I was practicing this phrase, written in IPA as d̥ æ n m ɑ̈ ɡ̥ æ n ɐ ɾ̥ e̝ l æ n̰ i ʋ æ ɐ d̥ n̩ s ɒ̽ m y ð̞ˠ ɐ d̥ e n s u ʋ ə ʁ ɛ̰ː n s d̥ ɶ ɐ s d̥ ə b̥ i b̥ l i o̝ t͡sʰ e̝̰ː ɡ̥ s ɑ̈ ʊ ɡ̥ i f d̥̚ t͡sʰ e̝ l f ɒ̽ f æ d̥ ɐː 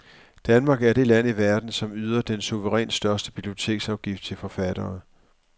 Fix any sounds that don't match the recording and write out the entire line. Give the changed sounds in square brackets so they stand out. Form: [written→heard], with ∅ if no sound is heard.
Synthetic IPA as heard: d̥ æ n m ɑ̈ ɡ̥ æ [n→∅] ɐ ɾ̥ e̝ l æ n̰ i ʋ æ ɐ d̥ n̩ s ɒ̽ m y ð̞ˠ ɐ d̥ e n s u ʋ ə ʁ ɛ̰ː n s d̥ ɶ ɐ s d̥ ə b̥ i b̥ l i o̝ t͡sʰ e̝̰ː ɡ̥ s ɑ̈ ʊ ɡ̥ i f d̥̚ t͡sʰ e̝ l f ɒ̽ f æ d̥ ɐː

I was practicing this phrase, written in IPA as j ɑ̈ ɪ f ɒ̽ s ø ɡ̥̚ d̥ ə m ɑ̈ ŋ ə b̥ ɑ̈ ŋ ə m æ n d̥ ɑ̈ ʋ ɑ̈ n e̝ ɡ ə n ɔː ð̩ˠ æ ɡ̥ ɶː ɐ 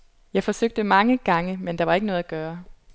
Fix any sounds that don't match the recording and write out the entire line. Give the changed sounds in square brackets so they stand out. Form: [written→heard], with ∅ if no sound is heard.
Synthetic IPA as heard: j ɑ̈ ɪ f ɒ̽ s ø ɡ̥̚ d̥ ə m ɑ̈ ŋ ə [b̥→ɡ̥] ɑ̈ ŋ ə m [æ→e] n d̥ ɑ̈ ʋ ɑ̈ [n→∅] e̝ ɡ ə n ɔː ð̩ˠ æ ɡ̥ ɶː ɐ

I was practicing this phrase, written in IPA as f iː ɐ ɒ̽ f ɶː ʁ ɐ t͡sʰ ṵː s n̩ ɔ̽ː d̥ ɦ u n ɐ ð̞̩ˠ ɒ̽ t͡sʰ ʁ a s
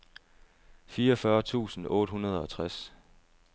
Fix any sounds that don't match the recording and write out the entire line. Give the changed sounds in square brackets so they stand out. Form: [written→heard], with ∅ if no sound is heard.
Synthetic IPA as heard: f iː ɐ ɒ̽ f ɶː [ʁ→∅] ɐ t͡sʰ ṵː s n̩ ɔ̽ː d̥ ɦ u n ɐ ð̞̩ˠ ɒ̽ t͡sʰ ʁ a s

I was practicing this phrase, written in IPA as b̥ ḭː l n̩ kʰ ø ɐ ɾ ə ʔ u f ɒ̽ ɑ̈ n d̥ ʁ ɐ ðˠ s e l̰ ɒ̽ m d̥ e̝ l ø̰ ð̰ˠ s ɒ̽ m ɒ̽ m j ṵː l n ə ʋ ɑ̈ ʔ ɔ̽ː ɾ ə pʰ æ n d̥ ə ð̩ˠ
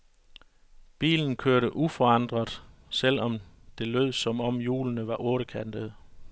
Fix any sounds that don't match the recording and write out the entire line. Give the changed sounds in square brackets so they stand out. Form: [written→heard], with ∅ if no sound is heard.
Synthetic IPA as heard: b̥ ḭː l n̩ kʰ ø ɐ ɾ ə ʔ u f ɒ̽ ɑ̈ n d̥ ʁ ɐ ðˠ s e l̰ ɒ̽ m d̥ e̝ l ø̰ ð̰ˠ s ɒ̽ m ɒ̽ m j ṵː l n ə ʋ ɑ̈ ʔ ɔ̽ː ɾ ə [pʰ→kʰ] æ n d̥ ə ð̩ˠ

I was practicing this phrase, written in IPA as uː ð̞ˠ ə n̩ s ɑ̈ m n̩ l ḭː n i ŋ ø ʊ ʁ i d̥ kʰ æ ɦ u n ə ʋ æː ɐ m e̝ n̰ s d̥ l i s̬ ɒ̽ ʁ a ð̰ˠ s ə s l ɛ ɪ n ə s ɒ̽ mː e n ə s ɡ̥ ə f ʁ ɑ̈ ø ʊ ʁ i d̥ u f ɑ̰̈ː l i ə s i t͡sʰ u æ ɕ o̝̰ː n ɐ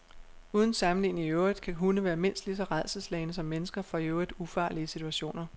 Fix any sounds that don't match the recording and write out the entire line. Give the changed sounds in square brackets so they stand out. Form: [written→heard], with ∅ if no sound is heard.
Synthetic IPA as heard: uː ð̞ˠ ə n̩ s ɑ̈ m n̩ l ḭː n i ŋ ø ʊ ʁ i d̥ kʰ æ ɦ u n ə ʋ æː ɐ m e̝ n̰ s d̥ l i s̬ ɒ̽ ʁ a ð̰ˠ s ə s l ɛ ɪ n ə s ɒ̽ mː e n ə s ɡ̥ [ə→ɐ] f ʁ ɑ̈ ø ʊ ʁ i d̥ u f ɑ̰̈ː l i ə s i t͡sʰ u æ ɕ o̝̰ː n ɐ

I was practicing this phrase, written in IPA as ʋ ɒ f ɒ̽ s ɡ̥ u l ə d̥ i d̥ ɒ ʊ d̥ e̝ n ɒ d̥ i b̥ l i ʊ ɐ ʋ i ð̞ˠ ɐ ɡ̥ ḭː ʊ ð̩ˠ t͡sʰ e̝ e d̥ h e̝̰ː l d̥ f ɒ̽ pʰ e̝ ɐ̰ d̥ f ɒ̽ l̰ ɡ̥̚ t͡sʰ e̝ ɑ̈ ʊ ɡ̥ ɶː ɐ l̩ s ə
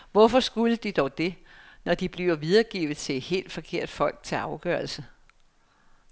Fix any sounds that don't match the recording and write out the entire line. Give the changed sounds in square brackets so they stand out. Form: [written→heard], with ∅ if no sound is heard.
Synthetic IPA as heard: ʋ ɒ f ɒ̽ s ɡ̥ u l ə d̥ i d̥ ɒ ʊ d̥ e̝ n ɒ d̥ i b̥ l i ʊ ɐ ʋ i ð̞ˠ ɐ ɡ̥ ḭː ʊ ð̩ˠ t͡sʰ e̝ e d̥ h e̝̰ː l d̥ f ɒ̽ [pʰ→kʰ] e̝ ɐ̰ d̥ f ɒ̽ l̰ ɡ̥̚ t͡sʰ e̝ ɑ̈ ʊ ɡ̥ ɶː ɐ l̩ s ə

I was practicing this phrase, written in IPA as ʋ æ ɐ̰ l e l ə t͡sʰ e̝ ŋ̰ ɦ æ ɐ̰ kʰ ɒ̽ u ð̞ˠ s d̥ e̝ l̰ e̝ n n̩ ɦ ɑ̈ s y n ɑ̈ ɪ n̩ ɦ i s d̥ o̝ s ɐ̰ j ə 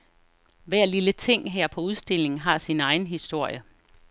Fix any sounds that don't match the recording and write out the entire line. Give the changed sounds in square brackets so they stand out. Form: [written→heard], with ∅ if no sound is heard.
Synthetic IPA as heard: ʋ æ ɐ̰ l [e→i] l ə t͡sʰ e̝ ŋ̰ ɦ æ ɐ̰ [kʰ→pʰ] ɒ̽ u ð̞ˠ s d̥ e̝ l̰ e̝ [n→ŋ] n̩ ɦ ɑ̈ s [y→i] n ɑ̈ ɪ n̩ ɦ i s d̥ o̝ [s→∅] ɐ̰ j ə

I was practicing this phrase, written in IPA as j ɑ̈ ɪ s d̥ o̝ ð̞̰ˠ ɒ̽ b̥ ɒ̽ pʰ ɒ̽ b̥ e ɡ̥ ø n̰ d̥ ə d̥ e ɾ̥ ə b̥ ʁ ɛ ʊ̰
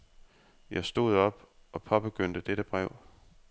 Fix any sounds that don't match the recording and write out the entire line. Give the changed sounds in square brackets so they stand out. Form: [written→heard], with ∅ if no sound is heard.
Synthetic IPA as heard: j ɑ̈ ɪ s d̥ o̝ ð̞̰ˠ ɒ̽ b̥ ɒ̽ pʰ ɒ̽ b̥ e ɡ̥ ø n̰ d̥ ə d̥ e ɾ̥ ə b̥ ʁ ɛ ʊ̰

